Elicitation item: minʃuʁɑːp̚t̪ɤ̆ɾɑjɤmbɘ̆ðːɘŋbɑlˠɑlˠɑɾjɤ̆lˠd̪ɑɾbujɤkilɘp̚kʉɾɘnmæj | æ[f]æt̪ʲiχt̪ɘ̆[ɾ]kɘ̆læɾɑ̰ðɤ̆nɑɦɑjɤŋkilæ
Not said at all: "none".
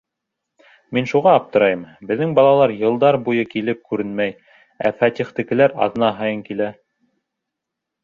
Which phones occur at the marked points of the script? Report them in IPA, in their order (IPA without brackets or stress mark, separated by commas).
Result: f, none